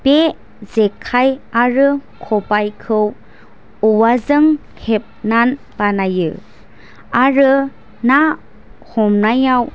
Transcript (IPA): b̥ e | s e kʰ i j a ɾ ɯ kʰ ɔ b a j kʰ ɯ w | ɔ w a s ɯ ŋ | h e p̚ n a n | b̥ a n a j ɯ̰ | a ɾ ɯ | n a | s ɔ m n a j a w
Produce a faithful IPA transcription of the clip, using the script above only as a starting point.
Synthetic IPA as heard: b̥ e | z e kʰ a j a ɾ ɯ kʰ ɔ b a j kʰ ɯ w | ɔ w a z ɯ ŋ | h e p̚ n a n | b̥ a n a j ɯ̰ | a ɾ ɯ | n a | h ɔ m n a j a w